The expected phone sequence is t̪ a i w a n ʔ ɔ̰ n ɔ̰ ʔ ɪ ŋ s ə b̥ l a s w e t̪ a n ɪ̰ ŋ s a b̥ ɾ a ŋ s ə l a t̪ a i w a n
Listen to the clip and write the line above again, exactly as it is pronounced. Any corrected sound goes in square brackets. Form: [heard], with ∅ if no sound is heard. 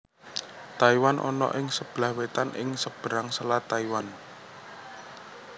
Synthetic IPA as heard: t̪ a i w a n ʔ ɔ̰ n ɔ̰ ʔ ɪ ŋ s ə b̥ l a [h] w e t̪ a n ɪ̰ ŋ s [ə] b̥ ɾ a ŋ s ə l a t̪ a i w a n

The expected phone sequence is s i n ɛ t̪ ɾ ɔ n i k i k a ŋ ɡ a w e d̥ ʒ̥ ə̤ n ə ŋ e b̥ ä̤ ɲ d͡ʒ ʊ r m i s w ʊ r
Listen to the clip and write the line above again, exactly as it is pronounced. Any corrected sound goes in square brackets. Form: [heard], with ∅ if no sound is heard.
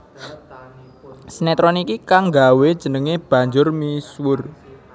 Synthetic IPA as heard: s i n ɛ t̪ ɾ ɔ n i k i k a ŋ ɡ a w e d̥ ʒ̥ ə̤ n ə ŋ e b̥ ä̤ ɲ d͡ʒ ʊ r m i s w ʊ r

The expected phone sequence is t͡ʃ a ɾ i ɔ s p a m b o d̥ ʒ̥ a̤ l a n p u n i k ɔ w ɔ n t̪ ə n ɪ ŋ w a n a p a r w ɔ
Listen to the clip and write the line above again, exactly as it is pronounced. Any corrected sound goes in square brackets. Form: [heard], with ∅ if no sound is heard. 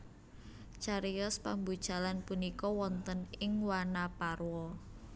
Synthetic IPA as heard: t͡ʃ a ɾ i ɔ s p a m b [u] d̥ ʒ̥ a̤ l a n p u n i k ɔ w ɔ n t̪ ə n ɪ ŋ w a n a p a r w ɔ

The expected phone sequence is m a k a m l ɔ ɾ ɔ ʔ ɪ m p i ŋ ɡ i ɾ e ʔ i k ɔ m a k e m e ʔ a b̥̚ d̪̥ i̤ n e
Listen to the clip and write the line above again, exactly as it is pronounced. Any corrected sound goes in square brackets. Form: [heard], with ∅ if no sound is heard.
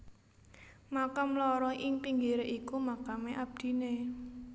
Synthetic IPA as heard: m a k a m l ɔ ɾ ɔ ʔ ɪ [ŋ] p i ŋ ɡ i ɾ e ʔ i k [u] m a k [a] m e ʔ a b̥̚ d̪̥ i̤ n e

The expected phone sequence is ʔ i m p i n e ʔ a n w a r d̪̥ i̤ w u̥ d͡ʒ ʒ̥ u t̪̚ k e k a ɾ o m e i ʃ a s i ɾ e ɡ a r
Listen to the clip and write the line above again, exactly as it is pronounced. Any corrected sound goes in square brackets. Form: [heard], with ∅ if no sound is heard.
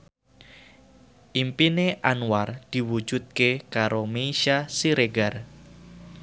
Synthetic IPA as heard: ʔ i m p i n e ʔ a n w a r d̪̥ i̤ w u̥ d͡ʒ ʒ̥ u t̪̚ k e k a ɾ o m e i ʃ a s i ɾ e ɡ a r

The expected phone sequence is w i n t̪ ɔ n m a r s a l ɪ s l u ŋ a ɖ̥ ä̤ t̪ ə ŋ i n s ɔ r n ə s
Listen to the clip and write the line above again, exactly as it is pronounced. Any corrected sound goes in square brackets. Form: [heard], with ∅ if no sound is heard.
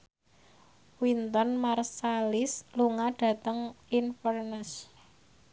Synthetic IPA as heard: w i n t̪ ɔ n m a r s a l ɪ s l u ŋ a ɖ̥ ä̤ t̪ ə ŋ i n [f] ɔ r n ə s

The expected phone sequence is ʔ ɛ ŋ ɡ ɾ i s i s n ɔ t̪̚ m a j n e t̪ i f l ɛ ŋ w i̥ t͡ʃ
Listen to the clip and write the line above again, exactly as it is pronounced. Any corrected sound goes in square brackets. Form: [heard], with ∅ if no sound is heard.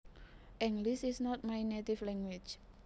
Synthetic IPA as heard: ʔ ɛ ŋ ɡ [l] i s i s n ɔ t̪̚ m a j n e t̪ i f l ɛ ŋ w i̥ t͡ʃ

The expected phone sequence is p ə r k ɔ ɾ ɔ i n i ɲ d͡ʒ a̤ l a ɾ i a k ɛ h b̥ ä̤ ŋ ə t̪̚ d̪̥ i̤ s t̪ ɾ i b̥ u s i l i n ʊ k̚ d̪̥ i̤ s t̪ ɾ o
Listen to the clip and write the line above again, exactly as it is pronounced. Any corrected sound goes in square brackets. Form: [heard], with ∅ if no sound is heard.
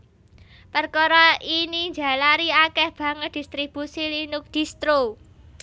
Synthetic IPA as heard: p ə r k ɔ ɾ ɔ i n i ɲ d͡ʒ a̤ l a ɾ i a k ɛ h b̥ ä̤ ŋ ə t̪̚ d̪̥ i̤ s t̪ ɾ i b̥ u s i l i n ʊ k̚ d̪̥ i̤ s t̪ ɾ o

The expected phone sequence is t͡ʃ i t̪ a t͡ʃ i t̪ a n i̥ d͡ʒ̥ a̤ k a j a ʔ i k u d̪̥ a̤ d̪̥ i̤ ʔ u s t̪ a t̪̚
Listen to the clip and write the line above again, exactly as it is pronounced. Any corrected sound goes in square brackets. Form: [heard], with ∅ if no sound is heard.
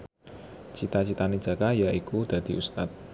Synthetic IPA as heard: t͡ʃ i t̪ a t͡ʃ i t̪ a n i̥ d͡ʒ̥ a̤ k a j a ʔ i k u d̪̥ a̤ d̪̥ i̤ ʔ u s t̪ a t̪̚

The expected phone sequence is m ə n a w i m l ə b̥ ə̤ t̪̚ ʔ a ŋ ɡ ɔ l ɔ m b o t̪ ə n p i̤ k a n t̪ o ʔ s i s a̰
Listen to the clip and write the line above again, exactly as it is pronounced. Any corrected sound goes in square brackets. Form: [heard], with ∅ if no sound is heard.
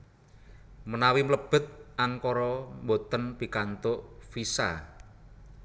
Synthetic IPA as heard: m ə n a w i m l ə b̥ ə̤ t̪̚ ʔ a ŋ [k] ɔ [ɾ] ɔ m b o t̪ ə n p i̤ k a n t̪ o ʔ [f] i s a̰

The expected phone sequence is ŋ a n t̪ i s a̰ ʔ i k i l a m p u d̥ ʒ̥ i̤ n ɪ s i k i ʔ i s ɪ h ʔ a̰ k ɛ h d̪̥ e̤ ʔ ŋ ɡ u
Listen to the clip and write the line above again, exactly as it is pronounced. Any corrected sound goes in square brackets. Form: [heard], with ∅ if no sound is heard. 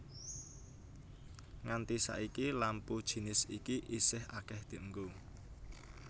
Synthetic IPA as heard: ŋ a n t̪ i s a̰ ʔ i k i l a m p u d̥ ʒ̥ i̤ n ɪ s i k i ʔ i s ɪ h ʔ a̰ k ɛ h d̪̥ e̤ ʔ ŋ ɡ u

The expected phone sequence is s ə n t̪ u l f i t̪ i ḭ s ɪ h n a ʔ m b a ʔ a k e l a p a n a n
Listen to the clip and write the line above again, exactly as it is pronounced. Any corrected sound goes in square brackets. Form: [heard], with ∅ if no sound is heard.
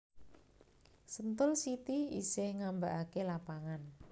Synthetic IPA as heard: s ə n t̪ [ʊ] l [s] i t̪ i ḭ s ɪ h [ŋ] a [∅] m b a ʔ a k e l a p a [ŋ] a n

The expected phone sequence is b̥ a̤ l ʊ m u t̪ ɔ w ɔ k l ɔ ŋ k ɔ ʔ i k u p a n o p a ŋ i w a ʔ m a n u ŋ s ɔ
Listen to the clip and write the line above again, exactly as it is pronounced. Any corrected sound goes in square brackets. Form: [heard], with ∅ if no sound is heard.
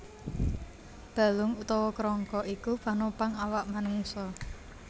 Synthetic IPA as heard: b̥ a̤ l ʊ [ŋ] u t̪ ɔ w ɔ k [ɾ] ɔ ŋ k ɔ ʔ i k u p a n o p a ŋ [a] w a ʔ m a n u ŋ s ɔ

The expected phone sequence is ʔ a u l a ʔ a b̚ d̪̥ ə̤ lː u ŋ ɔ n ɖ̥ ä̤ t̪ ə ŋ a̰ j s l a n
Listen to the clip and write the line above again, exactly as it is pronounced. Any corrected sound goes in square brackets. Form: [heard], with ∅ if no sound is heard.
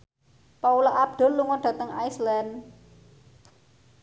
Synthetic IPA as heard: [p] a u l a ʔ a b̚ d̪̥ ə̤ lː u ŋ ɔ n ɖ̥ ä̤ t̪ ə ŋ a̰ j s l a n

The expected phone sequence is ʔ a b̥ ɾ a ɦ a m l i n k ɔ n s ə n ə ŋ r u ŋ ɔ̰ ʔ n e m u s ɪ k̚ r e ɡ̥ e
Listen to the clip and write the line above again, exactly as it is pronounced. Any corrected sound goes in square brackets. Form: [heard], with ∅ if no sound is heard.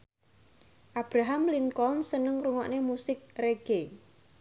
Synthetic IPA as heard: ʔ a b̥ ɾ a ɦ a m l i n k ɔ n s ə n ə ŋ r u ŋ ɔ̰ ʔ n e m u s ɪ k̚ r e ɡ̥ e

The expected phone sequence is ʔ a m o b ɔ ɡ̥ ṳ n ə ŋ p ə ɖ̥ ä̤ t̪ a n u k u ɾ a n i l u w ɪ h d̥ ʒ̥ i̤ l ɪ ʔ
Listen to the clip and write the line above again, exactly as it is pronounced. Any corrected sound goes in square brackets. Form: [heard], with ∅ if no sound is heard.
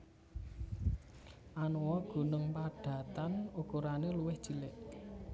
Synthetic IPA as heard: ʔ a [n] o [w] ɔ ɡ̥ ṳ n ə ŋ p [a] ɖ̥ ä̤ t̪ a n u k u ɾ a n [e] l u w ɪ h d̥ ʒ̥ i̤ l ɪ ʔ

